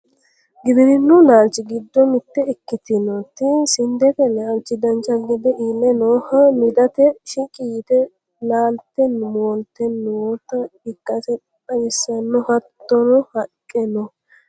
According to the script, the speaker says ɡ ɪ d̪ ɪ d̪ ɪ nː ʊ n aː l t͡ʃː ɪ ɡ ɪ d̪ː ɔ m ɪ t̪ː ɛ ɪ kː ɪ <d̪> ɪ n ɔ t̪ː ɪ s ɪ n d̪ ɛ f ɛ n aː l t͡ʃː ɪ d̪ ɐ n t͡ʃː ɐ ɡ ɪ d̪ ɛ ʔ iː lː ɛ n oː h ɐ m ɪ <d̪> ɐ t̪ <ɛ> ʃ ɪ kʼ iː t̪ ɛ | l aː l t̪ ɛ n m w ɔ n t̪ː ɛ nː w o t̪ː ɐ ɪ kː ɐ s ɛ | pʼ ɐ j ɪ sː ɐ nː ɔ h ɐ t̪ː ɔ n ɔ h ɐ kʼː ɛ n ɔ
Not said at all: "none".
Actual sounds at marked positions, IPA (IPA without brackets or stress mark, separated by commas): t̪, d̪, ɛ